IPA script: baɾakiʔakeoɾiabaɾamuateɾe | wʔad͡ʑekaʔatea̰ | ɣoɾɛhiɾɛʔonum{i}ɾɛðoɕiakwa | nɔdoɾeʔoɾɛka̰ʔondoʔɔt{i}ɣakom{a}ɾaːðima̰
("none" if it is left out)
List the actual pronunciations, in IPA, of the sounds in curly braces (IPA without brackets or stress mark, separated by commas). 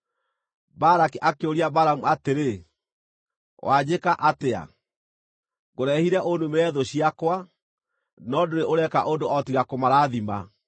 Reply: e, i, a